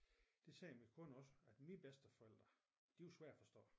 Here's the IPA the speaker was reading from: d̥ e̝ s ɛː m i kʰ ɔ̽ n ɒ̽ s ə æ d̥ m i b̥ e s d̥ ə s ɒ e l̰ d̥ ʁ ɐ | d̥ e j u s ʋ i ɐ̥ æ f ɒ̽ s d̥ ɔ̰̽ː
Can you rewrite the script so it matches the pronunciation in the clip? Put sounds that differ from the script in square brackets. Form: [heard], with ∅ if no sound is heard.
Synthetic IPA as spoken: d̥ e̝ s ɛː m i kʰ ɔ̽ n ɒ̽ s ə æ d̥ m i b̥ e s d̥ ə [f] ɒ e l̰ d̥ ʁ ɐ | d̥ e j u s ʋ [æ] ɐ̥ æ f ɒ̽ s d̥ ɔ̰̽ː